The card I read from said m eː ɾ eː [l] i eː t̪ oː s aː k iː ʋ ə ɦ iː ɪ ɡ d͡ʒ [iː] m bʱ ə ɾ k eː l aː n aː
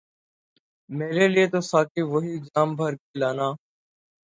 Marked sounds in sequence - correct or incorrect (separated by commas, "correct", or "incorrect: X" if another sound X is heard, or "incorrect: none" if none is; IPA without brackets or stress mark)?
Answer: correct, incorrect: aː